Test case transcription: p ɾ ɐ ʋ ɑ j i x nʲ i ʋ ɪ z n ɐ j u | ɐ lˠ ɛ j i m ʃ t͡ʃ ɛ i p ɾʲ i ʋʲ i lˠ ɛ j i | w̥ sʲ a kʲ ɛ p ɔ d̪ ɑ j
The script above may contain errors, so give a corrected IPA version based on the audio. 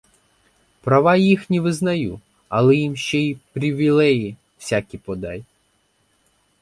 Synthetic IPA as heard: p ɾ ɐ ʋ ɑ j i x nʲ i ʋ ɪ z n ɐ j u | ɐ lˠ ɛ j i m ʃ t͡ʃ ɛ i p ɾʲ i ʋʲ i lˠ ɛ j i | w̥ sʲ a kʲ i p ɔ d̪ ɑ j